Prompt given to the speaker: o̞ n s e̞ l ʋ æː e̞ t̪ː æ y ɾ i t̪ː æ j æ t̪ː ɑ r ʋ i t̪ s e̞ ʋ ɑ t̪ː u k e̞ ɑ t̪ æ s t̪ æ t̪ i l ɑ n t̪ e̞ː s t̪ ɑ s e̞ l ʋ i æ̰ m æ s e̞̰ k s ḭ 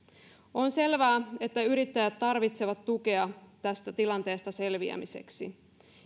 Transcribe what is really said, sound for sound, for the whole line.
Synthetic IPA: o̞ n s e̞ l ʋ æː e̞ t̪ː æ y ɾ i t̪ː æ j æ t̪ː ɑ r ʋ i t̪ s e̞ ʋ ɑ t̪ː u k e̞ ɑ t̪ æ s t̪ æ t̪ i l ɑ n t̪ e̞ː s t̪ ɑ s e̞ l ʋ i æ̰ m i s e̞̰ k s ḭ